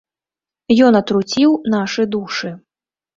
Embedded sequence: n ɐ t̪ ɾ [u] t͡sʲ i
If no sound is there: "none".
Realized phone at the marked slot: u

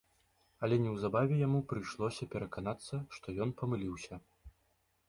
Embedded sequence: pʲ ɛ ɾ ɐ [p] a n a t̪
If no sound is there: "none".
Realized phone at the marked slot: k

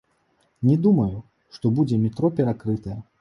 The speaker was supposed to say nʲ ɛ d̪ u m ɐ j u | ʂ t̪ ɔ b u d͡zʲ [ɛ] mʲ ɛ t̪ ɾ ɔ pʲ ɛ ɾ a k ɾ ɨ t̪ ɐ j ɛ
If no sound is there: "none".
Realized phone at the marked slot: ɛ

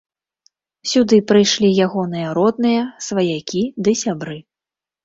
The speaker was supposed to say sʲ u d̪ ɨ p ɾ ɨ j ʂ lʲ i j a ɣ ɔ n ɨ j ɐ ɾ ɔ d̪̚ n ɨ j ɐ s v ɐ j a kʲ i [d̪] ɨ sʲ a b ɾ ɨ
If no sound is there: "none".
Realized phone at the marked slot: d̪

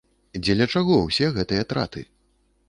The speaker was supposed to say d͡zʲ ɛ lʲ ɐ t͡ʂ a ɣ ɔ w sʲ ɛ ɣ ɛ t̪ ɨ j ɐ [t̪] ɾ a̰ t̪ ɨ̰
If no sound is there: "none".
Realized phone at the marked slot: t̪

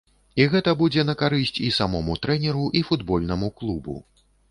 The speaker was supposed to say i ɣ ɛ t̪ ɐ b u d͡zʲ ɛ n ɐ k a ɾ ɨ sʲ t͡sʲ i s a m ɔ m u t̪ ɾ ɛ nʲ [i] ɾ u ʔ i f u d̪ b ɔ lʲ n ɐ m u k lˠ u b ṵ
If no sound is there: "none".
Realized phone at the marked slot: ɛ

